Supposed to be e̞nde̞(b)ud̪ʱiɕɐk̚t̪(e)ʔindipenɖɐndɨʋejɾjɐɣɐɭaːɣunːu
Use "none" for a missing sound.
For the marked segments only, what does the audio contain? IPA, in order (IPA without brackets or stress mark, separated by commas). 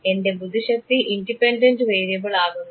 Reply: b, i